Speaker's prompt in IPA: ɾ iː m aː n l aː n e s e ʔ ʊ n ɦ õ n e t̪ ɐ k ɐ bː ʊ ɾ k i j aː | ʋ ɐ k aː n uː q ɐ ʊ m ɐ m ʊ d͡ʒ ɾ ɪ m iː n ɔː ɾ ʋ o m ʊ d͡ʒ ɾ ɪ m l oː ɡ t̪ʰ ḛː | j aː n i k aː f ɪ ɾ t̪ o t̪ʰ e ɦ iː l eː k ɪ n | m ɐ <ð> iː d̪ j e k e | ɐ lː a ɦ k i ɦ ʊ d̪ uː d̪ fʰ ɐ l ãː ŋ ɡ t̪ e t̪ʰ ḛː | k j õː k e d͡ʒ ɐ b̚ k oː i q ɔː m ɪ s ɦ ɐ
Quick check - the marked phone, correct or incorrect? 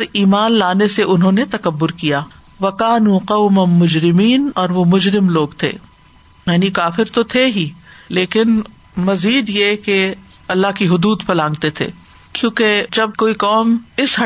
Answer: incorrect